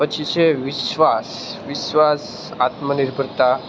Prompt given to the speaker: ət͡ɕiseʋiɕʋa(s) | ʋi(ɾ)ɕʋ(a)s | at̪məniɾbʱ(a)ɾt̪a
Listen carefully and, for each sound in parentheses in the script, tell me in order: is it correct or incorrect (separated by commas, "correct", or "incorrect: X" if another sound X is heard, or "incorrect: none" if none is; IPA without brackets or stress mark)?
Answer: correct, incorrect: none, correct, incorrect: ə